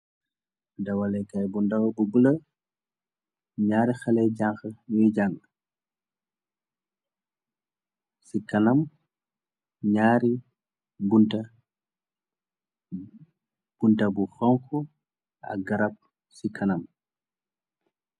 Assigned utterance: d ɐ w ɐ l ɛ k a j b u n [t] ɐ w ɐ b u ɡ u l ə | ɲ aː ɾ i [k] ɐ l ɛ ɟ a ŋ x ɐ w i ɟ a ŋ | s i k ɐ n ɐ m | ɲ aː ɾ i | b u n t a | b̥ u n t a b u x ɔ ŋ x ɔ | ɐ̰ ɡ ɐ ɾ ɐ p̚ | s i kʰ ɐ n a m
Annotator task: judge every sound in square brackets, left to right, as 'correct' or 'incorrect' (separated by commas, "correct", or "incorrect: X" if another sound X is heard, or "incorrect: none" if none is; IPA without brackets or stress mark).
incorrect: d, incorrect: x